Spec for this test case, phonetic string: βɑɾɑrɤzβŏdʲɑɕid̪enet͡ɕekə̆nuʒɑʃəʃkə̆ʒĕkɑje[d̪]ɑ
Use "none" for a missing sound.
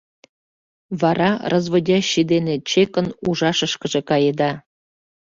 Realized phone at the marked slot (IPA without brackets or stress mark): d̪